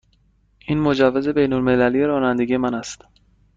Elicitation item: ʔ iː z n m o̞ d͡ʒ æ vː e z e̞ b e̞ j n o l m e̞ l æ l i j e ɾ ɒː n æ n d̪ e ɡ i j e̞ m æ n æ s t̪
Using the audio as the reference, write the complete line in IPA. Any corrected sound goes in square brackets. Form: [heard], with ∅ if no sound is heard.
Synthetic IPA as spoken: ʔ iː [∅] n m o̞ d͡ʒ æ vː e z e̞ b e̞ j n o l m e̞ l æ l i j e ɾ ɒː n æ n d̪ e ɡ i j e̞ m æ n æ s t̪